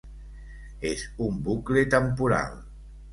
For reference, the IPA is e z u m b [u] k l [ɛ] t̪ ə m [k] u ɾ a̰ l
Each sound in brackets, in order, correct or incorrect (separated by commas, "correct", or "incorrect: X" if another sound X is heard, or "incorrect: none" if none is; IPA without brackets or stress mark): correct, incorrect: e, incorrect: p